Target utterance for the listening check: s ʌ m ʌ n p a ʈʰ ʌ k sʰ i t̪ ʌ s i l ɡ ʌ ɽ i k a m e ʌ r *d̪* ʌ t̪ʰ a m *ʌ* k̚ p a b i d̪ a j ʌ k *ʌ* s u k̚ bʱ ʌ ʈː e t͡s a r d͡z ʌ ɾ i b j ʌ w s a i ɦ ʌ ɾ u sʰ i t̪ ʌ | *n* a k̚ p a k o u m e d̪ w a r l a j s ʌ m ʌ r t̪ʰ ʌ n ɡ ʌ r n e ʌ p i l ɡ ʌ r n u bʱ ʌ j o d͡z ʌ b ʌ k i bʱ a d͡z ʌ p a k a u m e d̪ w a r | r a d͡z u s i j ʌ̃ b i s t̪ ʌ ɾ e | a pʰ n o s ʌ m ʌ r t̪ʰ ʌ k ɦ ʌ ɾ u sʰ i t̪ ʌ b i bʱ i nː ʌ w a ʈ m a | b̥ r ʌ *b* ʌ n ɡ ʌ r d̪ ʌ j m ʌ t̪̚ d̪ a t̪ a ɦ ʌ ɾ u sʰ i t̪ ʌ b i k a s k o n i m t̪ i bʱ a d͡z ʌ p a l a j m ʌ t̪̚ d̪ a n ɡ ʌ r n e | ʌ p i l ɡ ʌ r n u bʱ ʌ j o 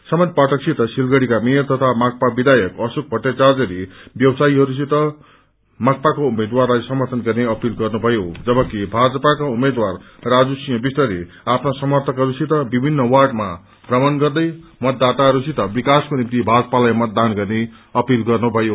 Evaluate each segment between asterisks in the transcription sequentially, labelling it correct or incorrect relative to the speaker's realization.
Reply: incorrect: t̪, incorrect: a, correct, incorrect: m, incorrect: m

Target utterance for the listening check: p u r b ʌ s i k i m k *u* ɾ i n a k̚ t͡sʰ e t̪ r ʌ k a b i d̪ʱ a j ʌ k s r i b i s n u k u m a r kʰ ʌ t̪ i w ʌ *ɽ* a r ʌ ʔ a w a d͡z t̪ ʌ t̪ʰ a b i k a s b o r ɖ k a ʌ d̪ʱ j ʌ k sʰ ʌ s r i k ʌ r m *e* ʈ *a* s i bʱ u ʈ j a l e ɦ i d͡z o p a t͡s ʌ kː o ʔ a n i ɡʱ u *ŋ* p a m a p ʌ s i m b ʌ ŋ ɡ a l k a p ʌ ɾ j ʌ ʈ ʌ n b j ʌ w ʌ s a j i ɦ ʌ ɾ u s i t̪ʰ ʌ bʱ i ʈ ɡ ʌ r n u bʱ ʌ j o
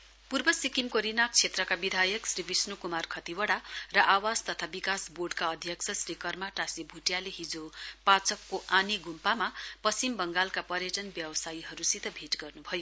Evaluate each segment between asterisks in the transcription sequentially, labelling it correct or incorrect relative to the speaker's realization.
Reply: incorrect: o, correct, incorrect: a, correct, incorrect: m

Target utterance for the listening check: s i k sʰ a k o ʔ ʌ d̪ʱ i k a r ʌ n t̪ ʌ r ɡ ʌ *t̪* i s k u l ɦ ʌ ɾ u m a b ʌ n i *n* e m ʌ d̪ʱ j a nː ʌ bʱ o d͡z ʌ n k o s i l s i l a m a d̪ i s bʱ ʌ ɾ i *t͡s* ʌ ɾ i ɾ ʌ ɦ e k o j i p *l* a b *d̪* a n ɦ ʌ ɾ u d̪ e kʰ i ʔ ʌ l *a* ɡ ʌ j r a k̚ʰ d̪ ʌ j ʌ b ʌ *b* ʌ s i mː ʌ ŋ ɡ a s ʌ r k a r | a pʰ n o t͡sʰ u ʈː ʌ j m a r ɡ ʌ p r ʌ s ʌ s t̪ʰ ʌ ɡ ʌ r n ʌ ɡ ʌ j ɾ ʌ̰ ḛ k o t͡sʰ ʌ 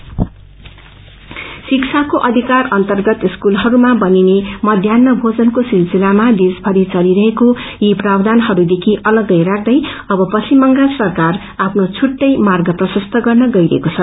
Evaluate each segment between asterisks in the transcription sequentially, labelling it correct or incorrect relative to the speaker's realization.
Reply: correct, correct, correct, incorrect: r, correct, incorrect: ʌ, incorrect: p

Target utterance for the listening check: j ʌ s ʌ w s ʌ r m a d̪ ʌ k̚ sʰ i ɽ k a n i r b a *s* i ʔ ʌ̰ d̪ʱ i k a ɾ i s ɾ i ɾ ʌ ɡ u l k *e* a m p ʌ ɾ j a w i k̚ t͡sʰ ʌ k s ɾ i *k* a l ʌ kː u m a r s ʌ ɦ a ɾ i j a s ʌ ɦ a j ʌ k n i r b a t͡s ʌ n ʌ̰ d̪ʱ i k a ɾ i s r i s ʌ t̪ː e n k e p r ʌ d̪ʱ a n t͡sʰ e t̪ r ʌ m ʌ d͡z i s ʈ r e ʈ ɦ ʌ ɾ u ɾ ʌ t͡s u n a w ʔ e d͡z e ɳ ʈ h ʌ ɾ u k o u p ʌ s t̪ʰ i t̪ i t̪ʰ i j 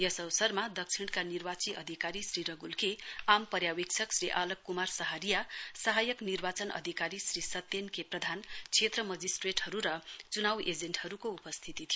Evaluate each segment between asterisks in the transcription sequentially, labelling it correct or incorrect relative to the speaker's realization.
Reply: incorrect: t͡s, correct, incorrect: ʔ

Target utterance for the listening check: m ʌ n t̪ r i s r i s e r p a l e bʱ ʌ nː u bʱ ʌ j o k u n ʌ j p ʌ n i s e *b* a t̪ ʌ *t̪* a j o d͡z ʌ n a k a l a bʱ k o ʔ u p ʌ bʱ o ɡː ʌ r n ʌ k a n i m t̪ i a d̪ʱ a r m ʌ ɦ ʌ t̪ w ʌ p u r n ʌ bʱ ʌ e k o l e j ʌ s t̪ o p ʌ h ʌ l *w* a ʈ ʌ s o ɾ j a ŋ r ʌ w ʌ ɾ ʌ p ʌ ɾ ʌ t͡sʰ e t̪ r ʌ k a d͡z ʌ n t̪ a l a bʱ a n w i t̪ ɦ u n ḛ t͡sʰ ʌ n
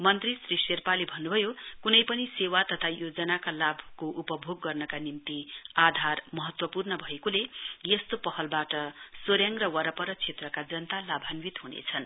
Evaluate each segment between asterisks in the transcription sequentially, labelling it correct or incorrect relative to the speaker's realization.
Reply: incorrect: w, incorrect: t̪ʰ, incorrect: b

